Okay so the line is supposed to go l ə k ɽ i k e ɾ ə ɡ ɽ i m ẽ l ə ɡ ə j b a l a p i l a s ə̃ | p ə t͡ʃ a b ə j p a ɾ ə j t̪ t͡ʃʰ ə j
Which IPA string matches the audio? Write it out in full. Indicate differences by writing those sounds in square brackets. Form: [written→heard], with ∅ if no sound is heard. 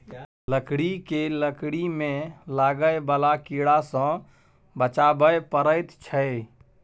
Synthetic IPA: l ə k ɽ i k e [ɾ→l] ə [ɡ→k] ɽ i m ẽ l [ə→a] ɡ ə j b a l a [p→k] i [l→ɽ] a s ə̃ | [p→b] ə t͡ʃ a b ə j p [a→ə] ɾ ə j t̪ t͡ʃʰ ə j